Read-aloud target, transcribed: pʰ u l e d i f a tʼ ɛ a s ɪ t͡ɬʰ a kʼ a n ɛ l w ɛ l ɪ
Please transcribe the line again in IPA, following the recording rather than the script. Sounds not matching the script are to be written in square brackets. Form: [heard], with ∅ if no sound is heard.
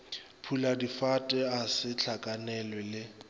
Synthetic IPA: pʰ u l [a] d i f a tʼ ɛ a s ɪ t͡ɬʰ a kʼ a n ɛ l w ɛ l ɪ

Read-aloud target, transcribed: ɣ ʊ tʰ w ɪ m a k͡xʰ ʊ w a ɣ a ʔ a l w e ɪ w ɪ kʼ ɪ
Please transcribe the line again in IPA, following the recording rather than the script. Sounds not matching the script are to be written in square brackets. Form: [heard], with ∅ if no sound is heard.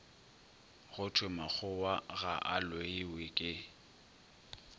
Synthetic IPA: ɣ ʊ tʰ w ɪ m a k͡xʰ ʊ w a ɣ a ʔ a l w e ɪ w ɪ kʼ ɪ

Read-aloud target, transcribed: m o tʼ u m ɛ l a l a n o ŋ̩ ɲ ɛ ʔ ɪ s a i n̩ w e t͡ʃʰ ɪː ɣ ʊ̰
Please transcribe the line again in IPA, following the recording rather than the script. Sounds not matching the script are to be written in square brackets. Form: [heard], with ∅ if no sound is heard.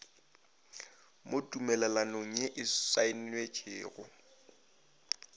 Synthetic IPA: m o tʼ u m ɛ l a l a n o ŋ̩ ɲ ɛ ʔ ɪ s a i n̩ w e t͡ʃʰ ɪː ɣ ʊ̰

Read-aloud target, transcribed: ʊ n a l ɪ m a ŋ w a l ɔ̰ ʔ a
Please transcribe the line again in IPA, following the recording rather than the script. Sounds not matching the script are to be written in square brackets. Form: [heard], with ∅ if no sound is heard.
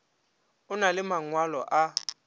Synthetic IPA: ʊ n a l ɪ m a ŋ w a l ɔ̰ ʔ a

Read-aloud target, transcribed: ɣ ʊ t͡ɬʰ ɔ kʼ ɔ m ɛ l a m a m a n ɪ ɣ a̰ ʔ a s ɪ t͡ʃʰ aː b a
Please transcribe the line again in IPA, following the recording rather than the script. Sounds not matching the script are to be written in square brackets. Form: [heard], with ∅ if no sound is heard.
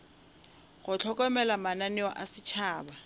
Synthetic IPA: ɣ ʊ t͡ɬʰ ɔ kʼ ɔ m ɛ l a m a [n] a n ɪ [w] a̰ ʔ a s ɪ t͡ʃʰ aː b a

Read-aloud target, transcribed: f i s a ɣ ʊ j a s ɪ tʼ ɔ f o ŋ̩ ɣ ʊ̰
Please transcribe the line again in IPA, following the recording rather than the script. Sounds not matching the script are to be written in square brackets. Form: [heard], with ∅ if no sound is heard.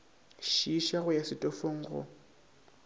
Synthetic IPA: [ʃ] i [ʃ] a ɣ ʊ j a s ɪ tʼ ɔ f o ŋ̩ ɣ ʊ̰

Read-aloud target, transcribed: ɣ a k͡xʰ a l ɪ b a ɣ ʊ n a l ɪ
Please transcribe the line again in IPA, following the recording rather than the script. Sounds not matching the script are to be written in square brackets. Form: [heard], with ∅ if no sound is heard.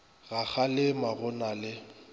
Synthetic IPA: ɣ a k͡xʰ a l ɪ [m] a ɣ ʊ n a l ɪ

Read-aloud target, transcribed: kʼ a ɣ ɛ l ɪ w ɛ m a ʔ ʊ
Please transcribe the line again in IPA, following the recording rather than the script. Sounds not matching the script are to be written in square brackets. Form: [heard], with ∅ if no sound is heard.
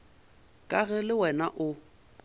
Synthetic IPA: kʼ a ɣ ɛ l ɪ w ɛ [n] a ʔ ʊ

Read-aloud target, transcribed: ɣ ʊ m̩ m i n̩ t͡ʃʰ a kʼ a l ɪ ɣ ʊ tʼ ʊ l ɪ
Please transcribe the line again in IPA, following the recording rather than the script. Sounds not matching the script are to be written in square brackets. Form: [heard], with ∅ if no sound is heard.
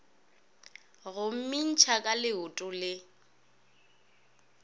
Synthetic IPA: ɣ ʊ m̩ m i n̩ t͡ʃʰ a kʼ a l ɪ [∅] ʊ tʼ ʊ l ɪ

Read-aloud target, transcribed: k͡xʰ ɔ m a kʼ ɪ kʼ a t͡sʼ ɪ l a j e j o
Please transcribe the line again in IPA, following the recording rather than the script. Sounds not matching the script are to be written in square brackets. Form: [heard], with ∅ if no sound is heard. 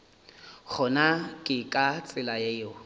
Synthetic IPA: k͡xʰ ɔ [n] a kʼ ɪ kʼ a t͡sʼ ɪ l a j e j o

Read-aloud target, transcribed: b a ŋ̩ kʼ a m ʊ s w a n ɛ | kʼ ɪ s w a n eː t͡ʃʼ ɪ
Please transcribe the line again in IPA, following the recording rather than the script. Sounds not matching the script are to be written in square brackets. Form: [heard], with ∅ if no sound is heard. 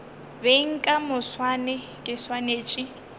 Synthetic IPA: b [e] ŋ̩ kʼ a m ʊ s w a n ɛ | kʼ ɪ s w a n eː t͡ʃʼ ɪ

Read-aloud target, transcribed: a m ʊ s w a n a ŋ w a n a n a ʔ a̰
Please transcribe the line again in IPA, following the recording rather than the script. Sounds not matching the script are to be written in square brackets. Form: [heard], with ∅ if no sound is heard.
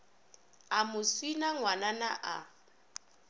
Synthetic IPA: a m ʊ s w [i] n a ŋ w a n a n a ʔ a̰

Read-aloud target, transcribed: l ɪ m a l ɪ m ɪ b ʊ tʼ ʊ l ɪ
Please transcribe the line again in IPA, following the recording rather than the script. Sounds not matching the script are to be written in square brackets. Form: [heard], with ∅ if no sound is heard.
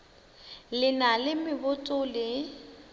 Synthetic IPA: l ɪ [n] a l ɪ m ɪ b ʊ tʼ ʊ l ɪ

